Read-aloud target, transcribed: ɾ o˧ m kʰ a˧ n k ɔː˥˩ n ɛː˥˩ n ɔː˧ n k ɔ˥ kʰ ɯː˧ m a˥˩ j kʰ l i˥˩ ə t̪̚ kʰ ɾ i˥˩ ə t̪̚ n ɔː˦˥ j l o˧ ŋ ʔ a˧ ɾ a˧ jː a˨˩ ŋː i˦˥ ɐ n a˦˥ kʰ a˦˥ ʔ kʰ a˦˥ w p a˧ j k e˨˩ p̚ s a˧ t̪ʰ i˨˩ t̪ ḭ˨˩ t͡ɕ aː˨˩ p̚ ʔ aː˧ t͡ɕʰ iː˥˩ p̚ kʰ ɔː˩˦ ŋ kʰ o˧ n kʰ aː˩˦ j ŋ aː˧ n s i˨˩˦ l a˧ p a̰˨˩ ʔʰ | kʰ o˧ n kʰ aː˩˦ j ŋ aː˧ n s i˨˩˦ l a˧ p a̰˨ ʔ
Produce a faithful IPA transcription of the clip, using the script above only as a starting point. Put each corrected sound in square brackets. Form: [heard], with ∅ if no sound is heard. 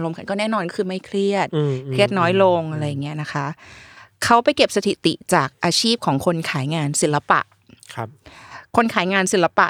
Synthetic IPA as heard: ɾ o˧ m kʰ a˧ n k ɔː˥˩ n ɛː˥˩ n ɔː˧ n k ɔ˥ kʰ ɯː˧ m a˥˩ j kʰ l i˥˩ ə t̪̚ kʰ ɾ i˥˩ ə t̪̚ n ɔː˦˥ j l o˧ ŋ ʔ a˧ ɾ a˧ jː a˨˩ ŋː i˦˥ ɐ n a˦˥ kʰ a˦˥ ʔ kʰ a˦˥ w p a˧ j k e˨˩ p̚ s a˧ t̪ʰ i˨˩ t̪ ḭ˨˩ t͡ɕ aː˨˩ [k̚] ʔ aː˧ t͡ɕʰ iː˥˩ p̚ kʰ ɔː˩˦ ŋ kʰ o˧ n kʰ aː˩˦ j ŋ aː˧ n s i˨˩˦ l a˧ p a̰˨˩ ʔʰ | kʰ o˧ n kʰ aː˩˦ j ŋ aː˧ n s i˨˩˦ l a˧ p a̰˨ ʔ